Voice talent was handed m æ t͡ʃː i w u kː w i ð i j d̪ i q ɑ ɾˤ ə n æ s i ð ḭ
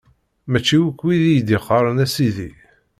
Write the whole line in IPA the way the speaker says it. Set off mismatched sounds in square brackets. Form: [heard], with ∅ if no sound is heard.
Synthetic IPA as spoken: m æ t͡ʃː i w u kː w i ð i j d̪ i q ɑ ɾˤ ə n æ s i ð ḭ